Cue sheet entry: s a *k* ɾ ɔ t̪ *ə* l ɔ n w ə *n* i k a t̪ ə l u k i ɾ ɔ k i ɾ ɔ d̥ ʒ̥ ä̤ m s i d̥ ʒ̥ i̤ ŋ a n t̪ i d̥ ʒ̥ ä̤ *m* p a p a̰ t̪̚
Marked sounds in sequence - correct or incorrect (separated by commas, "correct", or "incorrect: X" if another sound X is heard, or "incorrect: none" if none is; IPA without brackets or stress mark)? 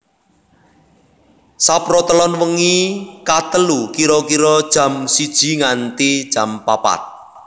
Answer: incorrect: p, correct, incorrect: ŋ, correct